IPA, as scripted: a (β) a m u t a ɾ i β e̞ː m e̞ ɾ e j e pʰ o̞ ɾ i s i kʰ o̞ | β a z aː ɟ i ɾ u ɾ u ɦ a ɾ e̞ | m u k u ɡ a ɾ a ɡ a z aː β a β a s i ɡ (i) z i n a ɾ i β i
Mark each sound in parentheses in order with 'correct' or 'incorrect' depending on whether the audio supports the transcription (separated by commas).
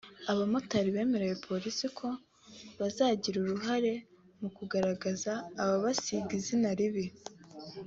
correct, correct